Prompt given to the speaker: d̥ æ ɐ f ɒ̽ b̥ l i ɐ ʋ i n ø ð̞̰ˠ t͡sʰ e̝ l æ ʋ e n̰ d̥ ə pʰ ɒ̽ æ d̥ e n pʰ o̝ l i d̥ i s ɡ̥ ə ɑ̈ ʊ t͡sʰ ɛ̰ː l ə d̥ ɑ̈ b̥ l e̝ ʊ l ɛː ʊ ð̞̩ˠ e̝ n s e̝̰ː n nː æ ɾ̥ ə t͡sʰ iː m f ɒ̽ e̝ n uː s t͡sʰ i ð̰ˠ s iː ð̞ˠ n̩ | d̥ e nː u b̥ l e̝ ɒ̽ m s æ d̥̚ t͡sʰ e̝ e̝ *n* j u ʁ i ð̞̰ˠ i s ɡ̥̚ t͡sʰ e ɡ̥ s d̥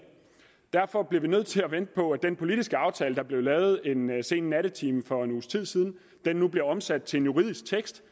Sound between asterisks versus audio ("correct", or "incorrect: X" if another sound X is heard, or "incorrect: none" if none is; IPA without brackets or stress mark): correct